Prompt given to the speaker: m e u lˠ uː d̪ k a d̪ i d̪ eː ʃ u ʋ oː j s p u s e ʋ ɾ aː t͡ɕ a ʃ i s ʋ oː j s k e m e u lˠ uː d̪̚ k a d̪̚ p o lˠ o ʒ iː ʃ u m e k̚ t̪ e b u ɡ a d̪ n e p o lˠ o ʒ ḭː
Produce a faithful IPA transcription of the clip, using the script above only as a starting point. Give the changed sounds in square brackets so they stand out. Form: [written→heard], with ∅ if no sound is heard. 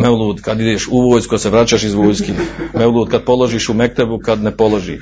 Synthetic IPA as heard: m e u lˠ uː d̪ k a d̪ i d̪ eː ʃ u ʋ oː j s [p→k] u s e ʋ ɾ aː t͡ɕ a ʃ i [s→z] ʋ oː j s k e m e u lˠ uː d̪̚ k a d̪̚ p o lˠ o ʒ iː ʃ u m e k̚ t̪ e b u [ɡ→k] a d̪ n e p o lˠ o ʒ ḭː